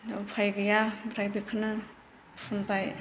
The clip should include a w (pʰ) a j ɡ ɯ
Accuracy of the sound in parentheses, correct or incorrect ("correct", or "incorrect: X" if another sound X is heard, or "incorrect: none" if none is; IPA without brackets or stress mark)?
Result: correct